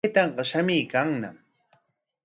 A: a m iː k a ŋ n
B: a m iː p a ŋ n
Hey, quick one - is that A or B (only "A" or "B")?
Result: A